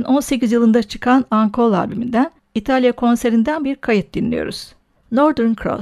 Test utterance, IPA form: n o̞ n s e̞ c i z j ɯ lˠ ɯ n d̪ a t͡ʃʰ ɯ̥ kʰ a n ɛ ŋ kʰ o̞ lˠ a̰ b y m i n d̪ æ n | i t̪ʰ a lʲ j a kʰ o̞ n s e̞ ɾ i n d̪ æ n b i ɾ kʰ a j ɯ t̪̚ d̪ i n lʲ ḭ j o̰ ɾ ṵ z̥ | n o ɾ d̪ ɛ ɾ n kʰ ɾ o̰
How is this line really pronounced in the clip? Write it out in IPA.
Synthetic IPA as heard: n o̞ n s e̞ c i z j ɯ lˠ ɯ n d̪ a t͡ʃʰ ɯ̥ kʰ a n a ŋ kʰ o̞ lˠ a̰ b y m i n d̪ æ n | i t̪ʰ a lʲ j a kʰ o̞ n s e̞ ɾ i n d̪ æ n b i ɾ kʰ a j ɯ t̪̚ d̪ i n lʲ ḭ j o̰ ɾ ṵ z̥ | n o ɾ d̪ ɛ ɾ n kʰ ɾ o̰